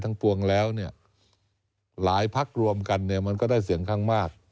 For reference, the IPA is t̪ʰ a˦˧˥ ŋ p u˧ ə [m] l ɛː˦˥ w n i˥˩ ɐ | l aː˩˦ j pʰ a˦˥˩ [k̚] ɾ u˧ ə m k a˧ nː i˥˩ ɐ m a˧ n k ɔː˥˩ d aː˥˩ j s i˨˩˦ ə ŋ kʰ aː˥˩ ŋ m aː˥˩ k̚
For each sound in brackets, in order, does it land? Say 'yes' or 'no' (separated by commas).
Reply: no, yes